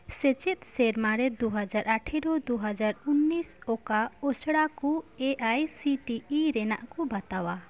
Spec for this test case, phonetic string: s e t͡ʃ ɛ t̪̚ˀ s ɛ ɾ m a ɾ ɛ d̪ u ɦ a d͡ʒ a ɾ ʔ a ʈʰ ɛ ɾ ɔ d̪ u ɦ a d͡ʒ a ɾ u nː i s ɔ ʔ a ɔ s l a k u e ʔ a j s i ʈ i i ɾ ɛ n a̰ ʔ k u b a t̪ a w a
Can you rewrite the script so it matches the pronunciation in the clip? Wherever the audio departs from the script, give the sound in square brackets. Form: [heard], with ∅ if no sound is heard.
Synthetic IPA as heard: s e t͡ʃ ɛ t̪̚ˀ s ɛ ɾ m a ɾ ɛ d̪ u ɦ a d͡ʒ a ɾ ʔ a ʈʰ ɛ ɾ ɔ d̪ u ɦ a d͡ʒ a ɾ u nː i s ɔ [k] a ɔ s [ɽ] a k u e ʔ a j s i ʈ i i ɾ ɛ n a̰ ʔ k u b a t̪ a w a